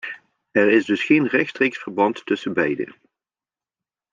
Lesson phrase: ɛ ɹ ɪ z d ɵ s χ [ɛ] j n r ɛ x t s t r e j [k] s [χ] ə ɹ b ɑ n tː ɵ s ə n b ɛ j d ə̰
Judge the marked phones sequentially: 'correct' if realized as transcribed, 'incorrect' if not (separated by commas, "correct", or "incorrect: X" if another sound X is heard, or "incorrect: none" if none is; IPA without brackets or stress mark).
incorrect: e, correct, incorrect: f